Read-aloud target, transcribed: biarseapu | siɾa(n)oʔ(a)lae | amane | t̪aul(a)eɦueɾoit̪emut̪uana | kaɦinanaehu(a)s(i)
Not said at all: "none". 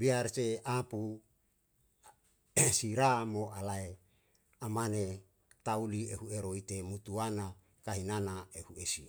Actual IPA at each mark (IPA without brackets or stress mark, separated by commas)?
m, a, i, e, i